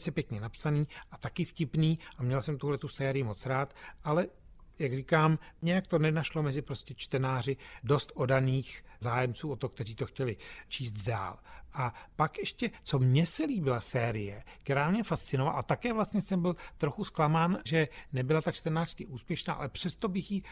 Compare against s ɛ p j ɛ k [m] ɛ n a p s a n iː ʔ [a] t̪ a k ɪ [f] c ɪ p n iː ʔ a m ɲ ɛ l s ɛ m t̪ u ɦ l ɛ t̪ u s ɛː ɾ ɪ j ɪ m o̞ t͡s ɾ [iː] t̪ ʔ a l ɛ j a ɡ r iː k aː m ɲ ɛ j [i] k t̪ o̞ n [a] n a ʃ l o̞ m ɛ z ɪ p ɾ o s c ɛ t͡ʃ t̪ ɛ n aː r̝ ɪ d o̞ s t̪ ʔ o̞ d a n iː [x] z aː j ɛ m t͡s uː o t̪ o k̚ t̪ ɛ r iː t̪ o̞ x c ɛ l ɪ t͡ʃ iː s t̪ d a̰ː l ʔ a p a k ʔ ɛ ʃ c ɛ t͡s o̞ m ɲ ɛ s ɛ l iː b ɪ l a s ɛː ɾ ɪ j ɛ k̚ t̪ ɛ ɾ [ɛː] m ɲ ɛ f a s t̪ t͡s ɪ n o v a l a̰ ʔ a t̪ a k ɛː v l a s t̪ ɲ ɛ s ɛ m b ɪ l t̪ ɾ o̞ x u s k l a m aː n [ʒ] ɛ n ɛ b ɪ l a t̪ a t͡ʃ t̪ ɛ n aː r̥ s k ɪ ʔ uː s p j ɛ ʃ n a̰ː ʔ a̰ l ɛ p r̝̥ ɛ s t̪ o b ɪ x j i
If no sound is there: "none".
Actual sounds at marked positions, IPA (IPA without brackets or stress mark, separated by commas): ɲ, a, f, aː, a, ɛ, x, aː, ʒ